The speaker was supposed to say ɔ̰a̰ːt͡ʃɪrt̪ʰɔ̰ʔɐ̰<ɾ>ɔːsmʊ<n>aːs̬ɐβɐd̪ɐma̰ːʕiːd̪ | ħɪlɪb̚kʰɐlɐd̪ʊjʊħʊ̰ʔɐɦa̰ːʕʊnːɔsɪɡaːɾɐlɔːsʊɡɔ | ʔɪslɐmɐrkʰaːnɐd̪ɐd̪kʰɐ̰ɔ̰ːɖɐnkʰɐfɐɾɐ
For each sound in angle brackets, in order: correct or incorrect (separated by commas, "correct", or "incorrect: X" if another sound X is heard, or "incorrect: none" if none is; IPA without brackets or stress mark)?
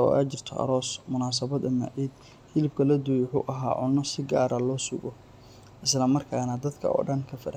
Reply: correct, correct